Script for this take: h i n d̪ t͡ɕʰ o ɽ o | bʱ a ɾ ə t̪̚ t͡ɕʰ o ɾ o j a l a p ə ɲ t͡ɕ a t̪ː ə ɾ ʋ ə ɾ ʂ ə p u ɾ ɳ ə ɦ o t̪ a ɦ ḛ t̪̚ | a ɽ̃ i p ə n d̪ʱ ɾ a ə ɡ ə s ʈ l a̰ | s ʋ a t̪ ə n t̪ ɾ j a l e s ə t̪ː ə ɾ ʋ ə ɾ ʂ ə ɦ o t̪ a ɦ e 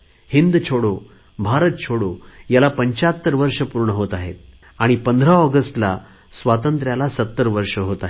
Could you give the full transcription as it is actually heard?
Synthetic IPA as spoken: h i n d̪ t͡ɕʰ o ɽ o | bʱ a ɾ ə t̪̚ t͡ɕʰ o ɽ o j a l a p ə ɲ t͡ɕ a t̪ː ə ɾ ʋ ə ɾ ʂ ə p u ɾ ɳ ə ɦ o t̪ a ɦ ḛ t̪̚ | a ɽ̃ i p ə n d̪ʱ ɾ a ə ɡ ə s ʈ l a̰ | s ʋ a t̪ ə n t̪ ɾ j a l a s ə t̪ː ə ɾ ʋ ə ɾ ʂ ə ɦ o t̪ a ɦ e